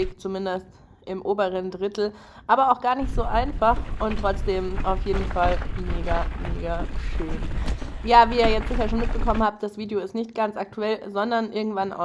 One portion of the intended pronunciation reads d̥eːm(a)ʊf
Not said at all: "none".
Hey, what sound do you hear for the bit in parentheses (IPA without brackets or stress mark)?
a